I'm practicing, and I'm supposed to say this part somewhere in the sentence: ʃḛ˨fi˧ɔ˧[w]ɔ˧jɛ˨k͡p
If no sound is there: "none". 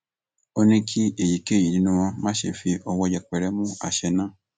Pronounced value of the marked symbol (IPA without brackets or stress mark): w